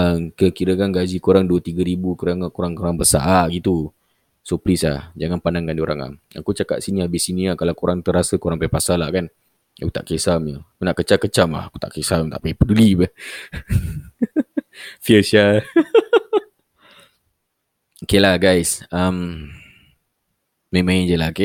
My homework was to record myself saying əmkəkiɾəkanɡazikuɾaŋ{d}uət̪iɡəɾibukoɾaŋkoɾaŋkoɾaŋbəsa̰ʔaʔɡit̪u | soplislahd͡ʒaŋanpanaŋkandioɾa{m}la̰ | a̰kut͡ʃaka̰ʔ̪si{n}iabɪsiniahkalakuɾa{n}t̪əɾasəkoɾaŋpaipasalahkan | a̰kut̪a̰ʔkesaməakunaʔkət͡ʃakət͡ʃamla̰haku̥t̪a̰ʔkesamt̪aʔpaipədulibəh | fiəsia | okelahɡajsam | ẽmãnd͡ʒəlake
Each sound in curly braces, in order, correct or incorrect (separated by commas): correct, incorrect, correct, incorrect